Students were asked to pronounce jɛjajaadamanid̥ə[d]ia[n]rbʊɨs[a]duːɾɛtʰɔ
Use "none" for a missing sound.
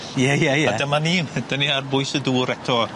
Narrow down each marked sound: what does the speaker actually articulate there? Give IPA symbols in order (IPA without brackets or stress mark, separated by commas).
n, none, ə